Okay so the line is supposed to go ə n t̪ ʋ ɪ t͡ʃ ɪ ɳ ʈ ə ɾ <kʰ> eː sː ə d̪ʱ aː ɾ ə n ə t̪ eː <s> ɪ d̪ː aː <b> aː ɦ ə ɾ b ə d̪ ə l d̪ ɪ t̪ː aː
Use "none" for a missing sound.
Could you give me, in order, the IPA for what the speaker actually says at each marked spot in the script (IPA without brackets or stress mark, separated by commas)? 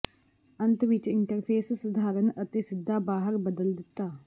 pʰ, s, b